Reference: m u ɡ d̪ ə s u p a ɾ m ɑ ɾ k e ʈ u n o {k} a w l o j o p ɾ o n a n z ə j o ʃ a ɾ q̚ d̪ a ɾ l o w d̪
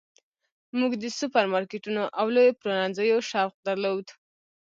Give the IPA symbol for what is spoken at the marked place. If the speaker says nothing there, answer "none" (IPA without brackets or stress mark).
ʔ